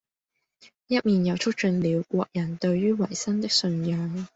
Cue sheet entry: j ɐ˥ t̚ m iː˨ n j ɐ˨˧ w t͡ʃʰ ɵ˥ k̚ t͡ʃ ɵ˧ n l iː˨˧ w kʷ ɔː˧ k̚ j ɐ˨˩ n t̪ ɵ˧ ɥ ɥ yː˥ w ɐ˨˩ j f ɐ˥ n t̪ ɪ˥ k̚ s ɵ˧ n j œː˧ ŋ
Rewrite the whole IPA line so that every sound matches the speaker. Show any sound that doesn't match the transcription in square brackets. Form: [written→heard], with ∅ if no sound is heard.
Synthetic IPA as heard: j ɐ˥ t̚ m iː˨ n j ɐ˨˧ w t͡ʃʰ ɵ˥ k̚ t͡ʃ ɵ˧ n l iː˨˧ w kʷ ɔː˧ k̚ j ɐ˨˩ n t̪ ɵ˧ ɥ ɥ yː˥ w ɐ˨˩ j [f→s] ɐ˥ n t̪ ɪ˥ k̚ s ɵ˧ n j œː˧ ŋ